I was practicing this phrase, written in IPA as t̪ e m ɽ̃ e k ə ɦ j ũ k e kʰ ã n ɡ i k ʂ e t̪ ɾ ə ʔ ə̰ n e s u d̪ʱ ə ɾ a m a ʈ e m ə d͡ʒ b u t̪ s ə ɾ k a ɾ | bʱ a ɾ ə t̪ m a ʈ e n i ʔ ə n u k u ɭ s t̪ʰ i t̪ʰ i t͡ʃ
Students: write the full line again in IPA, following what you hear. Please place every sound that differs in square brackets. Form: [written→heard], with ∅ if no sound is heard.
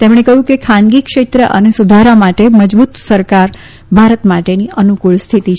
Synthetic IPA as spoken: t̪ e m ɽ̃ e k ə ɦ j ũ k e kʰ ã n ɡ i k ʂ e t̪ ɾ ə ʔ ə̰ n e s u d̪ʱ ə ɾ a m a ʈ e m ə d͡ʒ b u t̪ s ə ɾ k a ɾ | bʱ a ɾ ə t̪ m a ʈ e n i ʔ ə n u k u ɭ s t̪ʰ i [t̪ʰ→t̪] i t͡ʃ